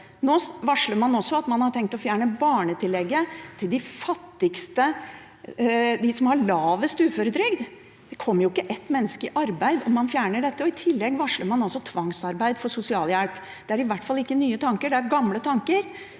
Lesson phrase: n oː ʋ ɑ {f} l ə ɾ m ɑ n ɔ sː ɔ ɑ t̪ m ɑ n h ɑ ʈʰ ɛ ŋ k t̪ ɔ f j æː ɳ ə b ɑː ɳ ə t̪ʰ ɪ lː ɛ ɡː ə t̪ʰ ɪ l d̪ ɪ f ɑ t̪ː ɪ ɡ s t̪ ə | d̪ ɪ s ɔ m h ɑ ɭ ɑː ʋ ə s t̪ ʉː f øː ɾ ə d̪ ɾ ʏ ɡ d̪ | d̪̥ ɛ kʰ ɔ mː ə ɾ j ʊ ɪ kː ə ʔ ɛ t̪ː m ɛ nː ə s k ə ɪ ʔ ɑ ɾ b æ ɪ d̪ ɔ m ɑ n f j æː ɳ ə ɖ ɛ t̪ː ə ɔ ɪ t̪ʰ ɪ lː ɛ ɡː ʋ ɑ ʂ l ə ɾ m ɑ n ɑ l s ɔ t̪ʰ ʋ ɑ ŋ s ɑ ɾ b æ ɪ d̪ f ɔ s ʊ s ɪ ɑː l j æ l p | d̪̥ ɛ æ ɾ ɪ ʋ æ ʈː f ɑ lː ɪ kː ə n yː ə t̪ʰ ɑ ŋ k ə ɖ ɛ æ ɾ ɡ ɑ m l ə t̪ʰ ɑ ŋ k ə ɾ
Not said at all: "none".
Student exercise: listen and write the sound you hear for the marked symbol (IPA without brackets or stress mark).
ʂ